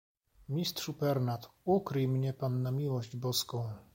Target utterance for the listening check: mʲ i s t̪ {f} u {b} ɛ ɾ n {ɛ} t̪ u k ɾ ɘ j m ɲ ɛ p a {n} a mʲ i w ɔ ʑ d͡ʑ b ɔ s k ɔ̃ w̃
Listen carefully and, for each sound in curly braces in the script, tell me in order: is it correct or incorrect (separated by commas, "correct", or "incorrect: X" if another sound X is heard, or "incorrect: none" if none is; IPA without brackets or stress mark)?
incorrect: ʂ, incorrect: p, incorrect: a, incorrect: nː